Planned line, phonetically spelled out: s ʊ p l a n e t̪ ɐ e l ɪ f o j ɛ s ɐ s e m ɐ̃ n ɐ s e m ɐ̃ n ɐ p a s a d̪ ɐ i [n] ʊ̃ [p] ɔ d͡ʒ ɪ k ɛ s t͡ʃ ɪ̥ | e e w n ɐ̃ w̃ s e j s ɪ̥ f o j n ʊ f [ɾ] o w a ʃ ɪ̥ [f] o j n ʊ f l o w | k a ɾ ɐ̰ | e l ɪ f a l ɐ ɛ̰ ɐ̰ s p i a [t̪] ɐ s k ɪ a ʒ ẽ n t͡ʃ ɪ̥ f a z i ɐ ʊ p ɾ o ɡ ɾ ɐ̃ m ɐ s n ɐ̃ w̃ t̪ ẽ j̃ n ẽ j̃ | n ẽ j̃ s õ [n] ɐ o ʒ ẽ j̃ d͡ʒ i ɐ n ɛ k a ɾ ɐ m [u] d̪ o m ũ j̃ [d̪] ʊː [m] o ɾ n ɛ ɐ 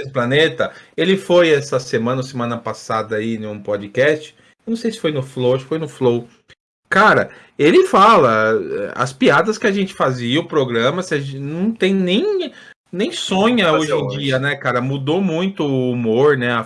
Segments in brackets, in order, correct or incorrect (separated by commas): correct, correct, incorrect, correct, incorrect, incorrect, correct, incorrect, correct